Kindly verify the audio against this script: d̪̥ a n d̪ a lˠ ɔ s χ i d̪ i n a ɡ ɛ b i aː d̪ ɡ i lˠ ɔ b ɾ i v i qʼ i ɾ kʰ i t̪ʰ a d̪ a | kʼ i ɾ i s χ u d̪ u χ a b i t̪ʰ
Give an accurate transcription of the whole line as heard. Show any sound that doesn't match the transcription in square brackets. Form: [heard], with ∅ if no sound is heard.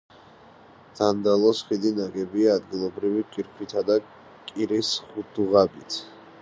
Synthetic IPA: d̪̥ a n d̪ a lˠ ɔ s χ i d̪ i n a ɡ ɛ b i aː d̪ ɡ i lˠ ɔ b ɾ i v i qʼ i ɾ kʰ i t̪ʰ a d̪ a | kʼ i ɾ i s χ u d̪ u [ʁ] a b i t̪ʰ